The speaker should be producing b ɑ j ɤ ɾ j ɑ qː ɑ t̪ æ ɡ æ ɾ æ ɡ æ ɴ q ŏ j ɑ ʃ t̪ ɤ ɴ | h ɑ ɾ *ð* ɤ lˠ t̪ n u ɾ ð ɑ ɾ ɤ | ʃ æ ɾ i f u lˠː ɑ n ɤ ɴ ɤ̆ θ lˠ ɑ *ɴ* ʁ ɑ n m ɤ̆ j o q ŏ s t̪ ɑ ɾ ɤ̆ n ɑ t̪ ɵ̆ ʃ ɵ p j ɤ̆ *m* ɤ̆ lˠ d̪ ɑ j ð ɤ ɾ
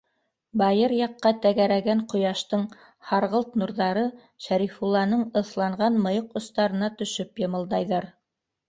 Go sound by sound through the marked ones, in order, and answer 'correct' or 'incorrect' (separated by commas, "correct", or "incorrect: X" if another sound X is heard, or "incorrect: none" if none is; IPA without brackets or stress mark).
incorrect: ʁ, correct, correct